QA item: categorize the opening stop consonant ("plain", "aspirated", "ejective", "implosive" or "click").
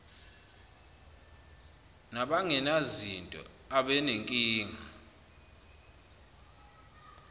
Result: implosive